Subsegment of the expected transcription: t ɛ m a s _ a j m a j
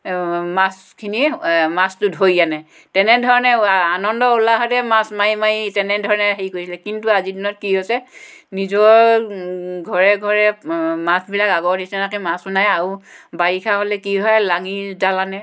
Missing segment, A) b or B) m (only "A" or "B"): B